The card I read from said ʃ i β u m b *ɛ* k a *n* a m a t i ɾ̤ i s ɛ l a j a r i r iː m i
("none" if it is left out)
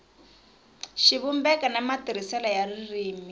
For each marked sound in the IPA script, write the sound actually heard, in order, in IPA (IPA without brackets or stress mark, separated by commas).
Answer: ɛ, n